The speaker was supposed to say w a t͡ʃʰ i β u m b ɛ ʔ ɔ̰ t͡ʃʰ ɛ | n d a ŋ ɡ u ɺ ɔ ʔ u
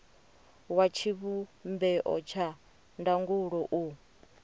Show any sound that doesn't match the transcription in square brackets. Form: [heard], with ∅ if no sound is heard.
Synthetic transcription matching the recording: w a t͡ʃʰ i β u m b ɛ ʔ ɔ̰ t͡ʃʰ [a] | n d a ŋ ɡ u ɺ ɔ ʔ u

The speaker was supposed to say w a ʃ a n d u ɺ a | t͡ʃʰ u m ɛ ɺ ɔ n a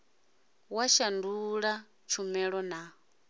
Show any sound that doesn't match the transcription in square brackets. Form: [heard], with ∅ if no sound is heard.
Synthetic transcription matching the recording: w a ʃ a n d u ɺ a | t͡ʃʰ u m ɛ ɺ ɔ n a

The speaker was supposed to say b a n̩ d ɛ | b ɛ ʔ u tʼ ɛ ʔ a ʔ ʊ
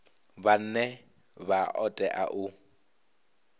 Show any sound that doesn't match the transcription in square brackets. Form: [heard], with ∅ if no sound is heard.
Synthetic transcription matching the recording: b a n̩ [n] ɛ | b [a] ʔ [ɔ] tʼ ɛ ʔ a ʔ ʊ

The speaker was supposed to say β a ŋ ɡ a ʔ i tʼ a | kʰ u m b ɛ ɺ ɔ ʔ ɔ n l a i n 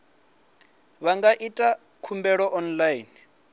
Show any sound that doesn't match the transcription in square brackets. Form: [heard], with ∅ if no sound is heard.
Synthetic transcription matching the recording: β a ŋ ɡ a ʔ i tʼ a | kʰ u m b ɛ ɺ ɔ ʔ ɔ n l a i n

